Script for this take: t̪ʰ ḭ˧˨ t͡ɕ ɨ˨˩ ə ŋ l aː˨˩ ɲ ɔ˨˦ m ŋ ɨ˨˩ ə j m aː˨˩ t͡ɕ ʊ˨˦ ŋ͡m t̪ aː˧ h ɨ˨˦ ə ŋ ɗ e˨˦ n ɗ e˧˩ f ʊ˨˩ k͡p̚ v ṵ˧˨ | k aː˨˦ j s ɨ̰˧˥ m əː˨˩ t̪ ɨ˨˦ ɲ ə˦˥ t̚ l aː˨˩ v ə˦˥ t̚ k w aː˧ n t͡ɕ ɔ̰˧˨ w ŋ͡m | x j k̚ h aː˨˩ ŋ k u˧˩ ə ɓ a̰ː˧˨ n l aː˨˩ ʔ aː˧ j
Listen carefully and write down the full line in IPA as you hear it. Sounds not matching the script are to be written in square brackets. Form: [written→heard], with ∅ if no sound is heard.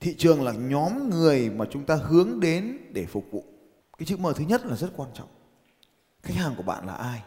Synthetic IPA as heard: t̪ʰ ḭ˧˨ t͡ɕ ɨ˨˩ ə ŋ l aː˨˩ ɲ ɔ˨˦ m ŋ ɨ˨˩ ə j m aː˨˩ t͡ɕ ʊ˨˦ ŋ͡m t̪ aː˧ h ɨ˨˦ ə ŋ ɗ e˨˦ n ɗ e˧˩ f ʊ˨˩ k͡p̚ v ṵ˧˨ | k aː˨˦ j s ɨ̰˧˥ m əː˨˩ t̪ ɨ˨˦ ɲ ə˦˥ t̚ l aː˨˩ [v→z] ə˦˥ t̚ k w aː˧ n t͡ɕ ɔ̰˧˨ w ŋ͡m | x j k̚ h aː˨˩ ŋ k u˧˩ ə ɓ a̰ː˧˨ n l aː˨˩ ʔ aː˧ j